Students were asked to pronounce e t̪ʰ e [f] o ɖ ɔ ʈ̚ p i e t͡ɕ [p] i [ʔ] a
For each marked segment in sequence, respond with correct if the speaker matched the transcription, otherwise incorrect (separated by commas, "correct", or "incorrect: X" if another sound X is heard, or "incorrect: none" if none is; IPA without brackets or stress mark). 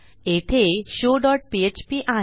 incorrect: ɕ, correct, correct